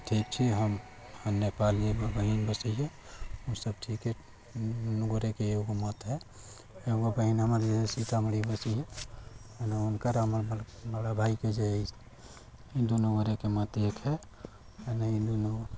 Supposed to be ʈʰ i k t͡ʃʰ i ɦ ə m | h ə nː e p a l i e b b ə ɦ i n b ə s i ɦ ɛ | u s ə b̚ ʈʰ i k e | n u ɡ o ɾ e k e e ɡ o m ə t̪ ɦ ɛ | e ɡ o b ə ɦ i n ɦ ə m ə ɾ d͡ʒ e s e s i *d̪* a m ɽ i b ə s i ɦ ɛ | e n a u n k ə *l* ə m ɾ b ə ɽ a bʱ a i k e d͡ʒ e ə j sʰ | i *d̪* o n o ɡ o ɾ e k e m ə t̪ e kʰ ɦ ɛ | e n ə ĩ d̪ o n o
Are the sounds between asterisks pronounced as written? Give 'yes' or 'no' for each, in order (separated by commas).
no, no, yes